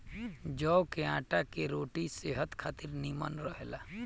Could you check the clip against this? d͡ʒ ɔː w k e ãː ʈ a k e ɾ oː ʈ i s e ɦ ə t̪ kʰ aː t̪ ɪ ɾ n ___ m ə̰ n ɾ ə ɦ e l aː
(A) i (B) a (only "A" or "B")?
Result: A